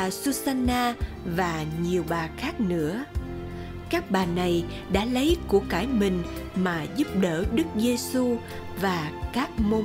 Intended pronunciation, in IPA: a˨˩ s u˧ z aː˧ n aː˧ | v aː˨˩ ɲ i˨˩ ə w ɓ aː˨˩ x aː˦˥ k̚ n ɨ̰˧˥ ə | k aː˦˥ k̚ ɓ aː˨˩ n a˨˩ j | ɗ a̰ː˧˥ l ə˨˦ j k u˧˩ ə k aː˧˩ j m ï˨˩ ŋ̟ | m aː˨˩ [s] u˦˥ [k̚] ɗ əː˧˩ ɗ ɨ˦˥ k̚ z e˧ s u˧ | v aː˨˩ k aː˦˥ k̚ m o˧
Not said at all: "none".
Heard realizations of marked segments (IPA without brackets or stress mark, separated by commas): z, p̚